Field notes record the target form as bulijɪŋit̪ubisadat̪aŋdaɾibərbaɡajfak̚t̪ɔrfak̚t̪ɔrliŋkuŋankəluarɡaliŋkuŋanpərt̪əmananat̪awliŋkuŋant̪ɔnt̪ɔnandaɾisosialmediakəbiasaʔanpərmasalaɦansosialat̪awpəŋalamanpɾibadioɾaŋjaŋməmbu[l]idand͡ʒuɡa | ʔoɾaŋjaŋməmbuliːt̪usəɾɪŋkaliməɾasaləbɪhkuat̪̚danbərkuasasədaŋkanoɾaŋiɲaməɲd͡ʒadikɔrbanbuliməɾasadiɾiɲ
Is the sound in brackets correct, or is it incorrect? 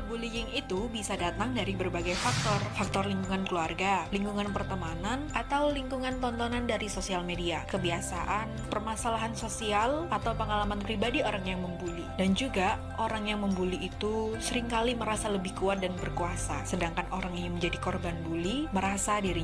correct